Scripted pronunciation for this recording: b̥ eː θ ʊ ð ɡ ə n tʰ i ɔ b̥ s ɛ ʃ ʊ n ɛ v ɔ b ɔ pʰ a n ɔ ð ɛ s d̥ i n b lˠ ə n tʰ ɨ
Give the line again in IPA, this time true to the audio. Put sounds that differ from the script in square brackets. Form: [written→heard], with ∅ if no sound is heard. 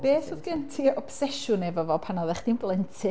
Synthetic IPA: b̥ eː θ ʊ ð ɡ ə n tʰ i ɔ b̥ s ɛ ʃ ʊ n ɛ v ɔ [b→v] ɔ pʰ a n ɔ ð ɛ [s→χ] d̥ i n b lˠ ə n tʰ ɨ